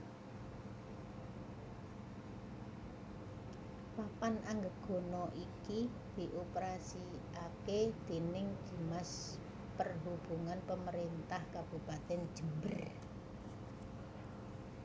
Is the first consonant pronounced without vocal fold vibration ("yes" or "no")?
yes